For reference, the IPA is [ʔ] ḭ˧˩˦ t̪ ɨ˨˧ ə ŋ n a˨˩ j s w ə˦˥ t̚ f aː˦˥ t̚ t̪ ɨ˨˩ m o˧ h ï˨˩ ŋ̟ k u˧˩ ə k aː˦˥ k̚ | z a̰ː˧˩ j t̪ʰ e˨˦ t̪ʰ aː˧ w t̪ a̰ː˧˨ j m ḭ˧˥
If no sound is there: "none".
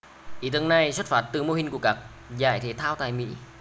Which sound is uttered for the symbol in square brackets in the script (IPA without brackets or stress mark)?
ʔ